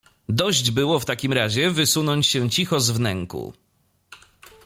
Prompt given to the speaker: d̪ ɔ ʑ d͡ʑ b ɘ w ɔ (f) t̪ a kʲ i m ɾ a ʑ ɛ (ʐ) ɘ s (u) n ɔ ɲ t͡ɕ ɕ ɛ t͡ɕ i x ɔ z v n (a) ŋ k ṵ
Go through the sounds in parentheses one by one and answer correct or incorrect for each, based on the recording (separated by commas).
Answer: correct, incorrect, correct, incorrect